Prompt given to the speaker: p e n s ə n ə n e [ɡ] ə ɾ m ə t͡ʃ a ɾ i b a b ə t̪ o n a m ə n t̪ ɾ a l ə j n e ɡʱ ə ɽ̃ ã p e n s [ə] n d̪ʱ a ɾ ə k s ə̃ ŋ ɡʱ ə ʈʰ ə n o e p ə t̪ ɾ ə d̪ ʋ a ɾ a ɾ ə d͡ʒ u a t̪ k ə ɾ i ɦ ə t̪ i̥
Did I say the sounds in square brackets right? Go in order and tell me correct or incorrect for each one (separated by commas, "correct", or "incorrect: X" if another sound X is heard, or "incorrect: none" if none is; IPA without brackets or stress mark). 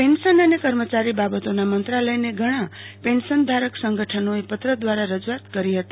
incorrect: k, correct